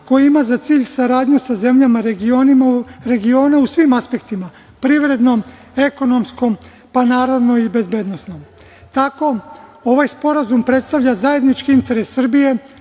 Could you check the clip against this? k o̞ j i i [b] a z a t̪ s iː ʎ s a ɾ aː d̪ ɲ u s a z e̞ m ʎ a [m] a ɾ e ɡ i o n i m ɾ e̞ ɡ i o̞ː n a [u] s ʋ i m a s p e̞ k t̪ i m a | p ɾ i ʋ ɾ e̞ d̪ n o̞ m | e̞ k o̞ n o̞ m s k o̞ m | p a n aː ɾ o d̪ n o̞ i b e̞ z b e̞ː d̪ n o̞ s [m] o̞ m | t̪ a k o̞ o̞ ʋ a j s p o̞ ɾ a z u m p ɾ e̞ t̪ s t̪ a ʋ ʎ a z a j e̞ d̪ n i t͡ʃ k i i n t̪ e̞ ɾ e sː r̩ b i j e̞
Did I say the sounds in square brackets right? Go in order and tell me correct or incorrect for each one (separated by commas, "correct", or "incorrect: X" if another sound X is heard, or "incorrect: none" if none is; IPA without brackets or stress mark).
incorrect: m, correct, correct, incorrect: n